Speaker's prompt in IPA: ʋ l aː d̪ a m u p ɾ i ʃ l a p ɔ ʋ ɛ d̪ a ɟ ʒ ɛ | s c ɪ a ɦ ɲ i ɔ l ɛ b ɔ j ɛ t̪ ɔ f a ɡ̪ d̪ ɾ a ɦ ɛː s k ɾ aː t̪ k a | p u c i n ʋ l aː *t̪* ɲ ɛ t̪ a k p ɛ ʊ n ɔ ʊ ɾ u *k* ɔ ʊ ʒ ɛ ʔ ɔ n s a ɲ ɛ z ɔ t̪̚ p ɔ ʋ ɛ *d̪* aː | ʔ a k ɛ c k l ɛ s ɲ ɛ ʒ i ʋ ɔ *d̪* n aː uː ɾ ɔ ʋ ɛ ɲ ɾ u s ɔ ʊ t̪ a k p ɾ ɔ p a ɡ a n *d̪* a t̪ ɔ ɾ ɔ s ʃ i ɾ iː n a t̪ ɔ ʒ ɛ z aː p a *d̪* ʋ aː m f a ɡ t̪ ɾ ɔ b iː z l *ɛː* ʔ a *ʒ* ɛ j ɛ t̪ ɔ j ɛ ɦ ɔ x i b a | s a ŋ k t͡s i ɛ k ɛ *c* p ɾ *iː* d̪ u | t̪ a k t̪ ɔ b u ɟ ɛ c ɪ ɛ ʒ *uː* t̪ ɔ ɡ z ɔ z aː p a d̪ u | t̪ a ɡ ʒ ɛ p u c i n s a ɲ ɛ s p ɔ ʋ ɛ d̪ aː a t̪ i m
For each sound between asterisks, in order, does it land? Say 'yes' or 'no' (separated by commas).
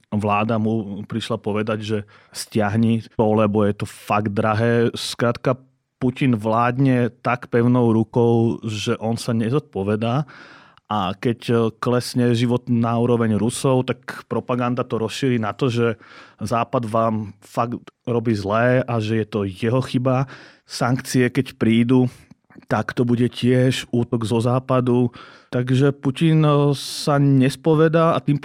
no, yes, yes, no, yes, yes, yes, yes, yes, yes, yes